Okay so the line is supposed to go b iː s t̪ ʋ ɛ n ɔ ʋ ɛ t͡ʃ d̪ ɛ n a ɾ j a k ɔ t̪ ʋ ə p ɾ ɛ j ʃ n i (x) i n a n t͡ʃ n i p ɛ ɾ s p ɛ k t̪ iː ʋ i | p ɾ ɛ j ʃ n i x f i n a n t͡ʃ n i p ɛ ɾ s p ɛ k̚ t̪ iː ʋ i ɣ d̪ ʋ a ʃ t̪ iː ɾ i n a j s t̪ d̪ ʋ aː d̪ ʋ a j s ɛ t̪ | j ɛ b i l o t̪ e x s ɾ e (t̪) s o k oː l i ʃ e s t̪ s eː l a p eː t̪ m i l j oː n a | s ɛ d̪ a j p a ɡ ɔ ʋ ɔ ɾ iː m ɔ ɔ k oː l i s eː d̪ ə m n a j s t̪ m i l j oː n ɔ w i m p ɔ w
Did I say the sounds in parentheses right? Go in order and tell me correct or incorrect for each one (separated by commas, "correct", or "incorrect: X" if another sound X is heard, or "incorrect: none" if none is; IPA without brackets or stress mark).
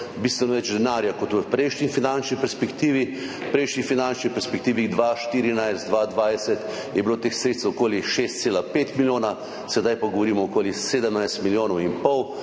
incorrect: f, correct